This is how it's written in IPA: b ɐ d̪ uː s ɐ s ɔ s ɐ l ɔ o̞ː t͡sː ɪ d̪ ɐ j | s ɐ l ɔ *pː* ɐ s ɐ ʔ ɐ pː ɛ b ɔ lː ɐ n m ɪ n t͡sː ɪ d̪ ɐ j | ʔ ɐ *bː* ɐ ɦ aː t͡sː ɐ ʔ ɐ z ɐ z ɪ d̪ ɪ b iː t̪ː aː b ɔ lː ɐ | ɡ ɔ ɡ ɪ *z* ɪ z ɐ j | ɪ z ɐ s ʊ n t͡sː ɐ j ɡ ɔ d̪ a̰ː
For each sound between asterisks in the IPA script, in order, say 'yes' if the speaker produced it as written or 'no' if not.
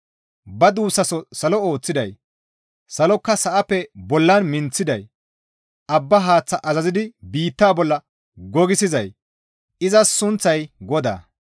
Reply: no, yes, no

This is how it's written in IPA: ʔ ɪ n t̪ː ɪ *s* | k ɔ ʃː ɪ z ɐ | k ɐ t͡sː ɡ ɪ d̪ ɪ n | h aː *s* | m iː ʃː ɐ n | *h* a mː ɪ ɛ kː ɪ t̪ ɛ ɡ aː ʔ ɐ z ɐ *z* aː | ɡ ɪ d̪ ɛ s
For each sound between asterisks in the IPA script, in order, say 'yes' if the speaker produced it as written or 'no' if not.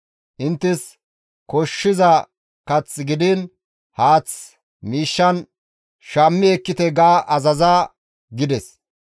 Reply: yes, no, no, yes

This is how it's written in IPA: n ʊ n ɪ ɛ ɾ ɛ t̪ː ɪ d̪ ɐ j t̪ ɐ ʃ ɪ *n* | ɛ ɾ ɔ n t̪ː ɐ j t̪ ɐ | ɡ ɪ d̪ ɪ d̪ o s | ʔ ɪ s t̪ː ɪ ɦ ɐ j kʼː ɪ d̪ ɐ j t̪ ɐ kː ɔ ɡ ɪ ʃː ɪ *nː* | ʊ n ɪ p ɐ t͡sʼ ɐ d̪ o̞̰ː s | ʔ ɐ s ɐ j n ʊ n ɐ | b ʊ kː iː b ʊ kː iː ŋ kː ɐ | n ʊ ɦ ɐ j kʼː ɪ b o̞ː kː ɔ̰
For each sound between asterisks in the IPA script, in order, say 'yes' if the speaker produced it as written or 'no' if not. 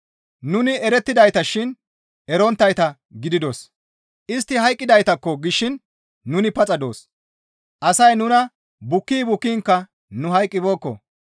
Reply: yes, yes

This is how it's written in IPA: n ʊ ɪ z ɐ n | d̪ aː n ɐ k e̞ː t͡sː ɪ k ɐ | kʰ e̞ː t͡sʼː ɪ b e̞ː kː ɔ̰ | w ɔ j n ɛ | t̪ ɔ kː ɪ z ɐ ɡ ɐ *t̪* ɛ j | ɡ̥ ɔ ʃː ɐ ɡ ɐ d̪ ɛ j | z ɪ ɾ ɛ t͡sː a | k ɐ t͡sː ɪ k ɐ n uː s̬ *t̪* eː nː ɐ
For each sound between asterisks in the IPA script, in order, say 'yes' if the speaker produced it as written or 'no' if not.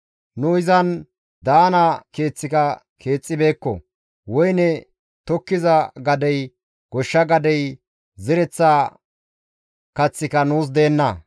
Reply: no, no

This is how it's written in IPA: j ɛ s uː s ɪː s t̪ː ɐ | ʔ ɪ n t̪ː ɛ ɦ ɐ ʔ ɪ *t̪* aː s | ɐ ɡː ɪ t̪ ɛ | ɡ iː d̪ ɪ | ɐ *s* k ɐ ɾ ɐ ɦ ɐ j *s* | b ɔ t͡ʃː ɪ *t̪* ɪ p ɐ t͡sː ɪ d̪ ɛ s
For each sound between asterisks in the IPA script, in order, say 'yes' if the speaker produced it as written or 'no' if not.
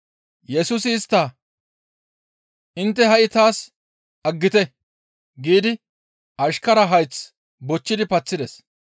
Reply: yes, no, no, no

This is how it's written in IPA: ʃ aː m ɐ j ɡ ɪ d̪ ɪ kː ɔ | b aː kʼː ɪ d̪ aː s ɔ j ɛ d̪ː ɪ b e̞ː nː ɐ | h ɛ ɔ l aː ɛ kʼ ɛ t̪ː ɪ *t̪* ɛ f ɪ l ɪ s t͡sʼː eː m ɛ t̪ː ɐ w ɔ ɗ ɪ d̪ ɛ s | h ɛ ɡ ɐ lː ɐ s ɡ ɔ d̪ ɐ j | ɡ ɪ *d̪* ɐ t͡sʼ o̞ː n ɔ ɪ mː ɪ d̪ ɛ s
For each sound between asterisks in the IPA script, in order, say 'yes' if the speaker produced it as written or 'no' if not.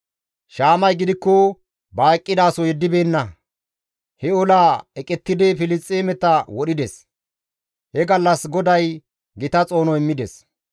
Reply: no, no

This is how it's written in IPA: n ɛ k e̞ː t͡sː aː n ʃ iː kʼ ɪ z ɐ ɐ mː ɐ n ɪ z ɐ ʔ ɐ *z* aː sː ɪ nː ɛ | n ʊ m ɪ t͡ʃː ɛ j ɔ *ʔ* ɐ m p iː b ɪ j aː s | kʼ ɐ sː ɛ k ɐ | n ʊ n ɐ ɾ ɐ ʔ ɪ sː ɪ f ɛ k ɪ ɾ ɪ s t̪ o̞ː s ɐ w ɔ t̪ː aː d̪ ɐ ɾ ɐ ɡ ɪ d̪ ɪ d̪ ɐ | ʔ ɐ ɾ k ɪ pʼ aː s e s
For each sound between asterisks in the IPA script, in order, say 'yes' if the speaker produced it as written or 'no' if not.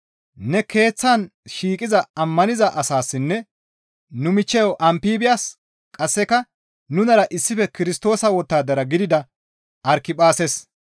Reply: no, yes

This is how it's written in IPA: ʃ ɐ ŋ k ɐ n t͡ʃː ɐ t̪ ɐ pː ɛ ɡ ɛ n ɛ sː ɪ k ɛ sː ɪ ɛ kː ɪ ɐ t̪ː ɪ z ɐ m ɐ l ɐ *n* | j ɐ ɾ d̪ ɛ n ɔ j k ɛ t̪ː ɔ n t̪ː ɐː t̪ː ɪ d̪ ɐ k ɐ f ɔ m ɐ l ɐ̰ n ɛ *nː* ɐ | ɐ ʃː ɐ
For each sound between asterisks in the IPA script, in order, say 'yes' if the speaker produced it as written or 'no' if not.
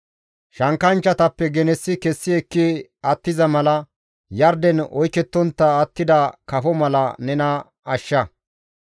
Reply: no, no

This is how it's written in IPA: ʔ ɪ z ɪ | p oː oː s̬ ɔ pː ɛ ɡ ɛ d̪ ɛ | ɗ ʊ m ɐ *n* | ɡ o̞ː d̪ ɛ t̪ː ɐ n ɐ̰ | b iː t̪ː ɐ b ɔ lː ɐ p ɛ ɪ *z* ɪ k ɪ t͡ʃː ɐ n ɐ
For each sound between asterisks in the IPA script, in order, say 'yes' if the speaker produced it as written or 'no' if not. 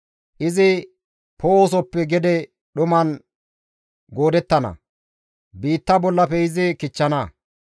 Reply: yes, yes

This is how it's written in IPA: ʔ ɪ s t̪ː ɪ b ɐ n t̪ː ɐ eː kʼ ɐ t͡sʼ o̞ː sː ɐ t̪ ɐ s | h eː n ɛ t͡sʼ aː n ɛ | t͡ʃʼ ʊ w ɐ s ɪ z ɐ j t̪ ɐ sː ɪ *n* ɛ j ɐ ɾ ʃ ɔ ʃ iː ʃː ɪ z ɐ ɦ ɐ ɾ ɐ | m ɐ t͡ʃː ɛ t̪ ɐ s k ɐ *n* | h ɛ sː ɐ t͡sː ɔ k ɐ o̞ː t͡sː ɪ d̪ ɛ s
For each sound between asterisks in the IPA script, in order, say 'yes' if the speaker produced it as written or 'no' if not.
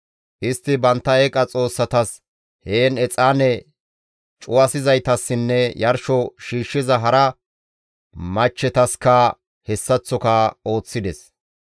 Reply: no, no

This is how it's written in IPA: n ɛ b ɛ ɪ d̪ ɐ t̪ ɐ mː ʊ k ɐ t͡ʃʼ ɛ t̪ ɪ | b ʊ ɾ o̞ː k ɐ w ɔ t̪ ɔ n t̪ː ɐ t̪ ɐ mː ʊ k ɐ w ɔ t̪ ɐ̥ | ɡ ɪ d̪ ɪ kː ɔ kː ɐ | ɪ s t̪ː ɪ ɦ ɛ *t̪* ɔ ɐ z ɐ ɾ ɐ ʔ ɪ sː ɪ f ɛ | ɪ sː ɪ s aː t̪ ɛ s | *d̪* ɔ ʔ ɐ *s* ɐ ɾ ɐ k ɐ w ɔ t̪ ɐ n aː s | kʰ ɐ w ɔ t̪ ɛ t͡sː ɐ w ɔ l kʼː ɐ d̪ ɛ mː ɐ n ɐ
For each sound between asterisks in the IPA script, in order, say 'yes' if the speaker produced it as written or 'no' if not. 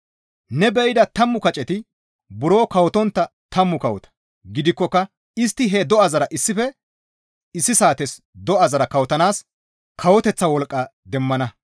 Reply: no, yes, no

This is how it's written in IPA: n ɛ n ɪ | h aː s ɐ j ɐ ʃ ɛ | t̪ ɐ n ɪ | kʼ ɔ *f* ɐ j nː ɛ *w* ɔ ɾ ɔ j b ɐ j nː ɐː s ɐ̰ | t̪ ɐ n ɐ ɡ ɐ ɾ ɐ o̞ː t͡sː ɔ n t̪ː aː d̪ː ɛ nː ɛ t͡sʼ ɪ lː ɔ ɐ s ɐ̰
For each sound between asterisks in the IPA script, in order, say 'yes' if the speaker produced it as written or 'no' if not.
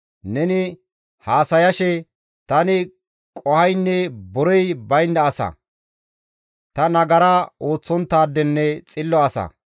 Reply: no, no

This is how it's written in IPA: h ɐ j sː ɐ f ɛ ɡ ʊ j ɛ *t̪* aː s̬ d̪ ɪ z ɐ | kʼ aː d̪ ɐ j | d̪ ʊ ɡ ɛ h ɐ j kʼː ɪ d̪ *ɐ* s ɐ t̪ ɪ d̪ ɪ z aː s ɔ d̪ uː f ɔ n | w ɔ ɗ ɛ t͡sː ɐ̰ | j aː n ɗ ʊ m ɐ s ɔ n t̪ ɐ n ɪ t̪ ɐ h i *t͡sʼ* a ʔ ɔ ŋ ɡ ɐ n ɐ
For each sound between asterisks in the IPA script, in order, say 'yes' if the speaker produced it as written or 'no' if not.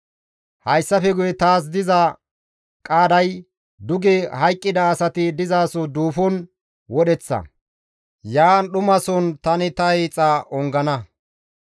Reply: yes, no, yes

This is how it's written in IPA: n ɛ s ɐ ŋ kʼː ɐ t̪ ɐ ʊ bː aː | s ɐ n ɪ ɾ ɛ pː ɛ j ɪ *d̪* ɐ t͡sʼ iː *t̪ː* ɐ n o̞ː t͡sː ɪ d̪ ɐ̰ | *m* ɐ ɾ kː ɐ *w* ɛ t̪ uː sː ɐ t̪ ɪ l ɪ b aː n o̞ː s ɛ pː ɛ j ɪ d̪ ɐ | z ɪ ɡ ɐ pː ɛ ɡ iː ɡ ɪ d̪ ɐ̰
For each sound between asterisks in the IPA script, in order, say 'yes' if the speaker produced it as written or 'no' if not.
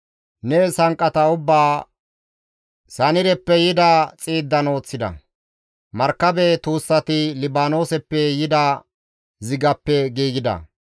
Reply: yes, no, yes, no

